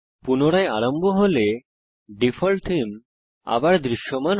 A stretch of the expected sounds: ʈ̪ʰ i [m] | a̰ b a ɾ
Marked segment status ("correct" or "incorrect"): correct